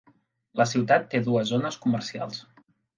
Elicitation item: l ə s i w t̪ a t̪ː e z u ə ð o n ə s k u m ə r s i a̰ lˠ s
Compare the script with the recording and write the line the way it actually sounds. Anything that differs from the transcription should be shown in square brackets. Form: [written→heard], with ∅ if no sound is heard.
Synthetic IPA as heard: l ə s i w t̪ a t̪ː e [z→ð] u ə [ð→z] o n ə s k u m ə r s i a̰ lˠ s